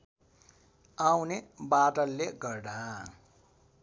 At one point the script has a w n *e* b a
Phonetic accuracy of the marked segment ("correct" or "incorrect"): correct